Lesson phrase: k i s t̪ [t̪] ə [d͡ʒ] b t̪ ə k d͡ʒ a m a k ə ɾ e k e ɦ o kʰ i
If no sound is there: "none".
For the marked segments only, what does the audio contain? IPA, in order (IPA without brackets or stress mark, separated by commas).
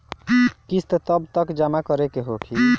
t̪, none